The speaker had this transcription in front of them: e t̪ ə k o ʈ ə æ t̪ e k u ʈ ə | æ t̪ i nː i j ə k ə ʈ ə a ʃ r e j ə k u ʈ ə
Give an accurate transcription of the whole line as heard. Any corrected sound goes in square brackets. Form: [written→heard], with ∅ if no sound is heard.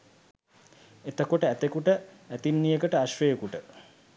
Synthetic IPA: e t̪ ə k o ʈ ə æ t̪ e k u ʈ ə | æ t̪ i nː i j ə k ə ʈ ə a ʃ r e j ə k u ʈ ə